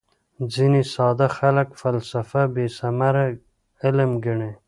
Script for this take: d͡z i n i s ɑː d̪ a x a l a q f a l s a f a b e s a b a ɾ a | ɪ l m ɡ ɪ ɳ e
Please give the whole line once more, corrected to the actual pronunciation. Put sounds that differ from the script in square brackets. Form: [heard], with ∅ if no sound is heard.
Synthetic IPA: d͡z i n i s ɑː d̪ a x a l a [k] f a l s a f a b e s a [m] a ɾ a | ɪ l m ɡ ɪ ɳ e